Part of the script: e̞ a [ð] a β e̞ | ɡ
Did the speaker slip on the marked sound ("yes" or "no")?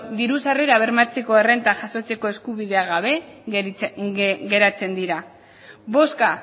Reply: yes